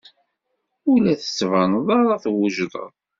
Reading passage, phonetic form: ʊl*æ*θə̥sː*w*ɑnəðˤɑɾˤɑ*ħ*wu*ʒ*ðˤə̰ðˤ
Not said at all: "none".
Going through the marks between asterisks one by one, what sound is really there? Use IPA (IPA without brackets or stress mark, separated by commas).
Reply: æ, v, θ, ʒ